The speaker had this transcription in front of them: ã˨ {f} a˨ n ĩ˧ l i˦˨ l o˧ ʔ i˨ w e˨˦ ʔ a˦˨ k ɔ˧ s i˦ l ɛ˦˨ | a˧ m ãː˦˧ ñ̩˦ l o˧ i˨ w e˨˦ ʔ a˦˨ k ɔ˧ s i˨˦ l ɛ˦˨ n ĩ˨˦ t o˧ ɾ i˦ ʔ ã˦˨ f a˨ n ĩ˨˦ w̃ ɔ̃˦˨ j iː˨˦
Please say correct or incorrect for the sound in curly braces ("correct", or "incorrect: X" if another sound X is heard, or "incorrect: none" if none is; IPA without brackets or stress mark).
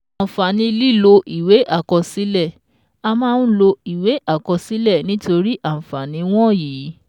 correct